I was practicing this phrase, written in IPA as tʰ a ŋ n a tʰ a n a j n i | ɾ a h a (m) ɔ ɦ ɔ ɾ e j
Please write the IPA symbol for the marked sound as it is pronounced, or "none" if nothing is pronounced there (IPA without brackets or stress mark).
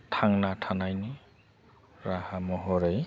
m